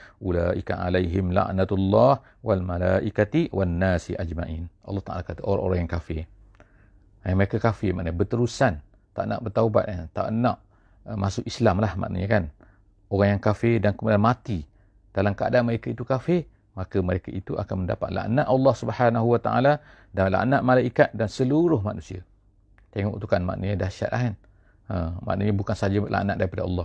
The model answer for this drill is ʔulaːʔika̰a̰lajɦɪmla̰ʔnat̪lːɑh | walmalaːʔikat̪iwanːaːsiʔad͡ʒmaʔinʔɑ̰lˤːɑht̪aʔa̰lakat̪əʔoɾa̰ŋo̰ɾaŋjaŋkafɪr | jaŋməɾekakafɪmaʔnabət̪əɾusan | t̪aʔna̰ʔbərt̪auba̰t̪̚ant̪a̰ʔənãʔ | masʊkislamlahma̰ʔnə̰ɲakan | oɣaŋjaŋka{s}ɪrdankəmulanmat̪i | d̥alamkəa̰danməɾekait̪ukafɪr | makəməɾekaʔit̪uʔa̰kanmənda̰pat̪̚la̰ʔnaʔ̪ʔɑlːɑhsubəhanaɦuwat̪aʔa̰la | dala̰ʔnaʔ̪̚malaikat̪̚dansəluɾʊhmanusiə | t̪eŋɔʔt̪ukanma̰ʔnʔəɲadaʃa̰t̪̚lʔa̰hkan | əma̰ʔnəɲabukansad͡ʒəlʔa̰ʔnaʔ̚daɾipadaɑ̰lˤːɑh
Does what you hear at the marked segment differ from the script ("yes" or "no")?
yes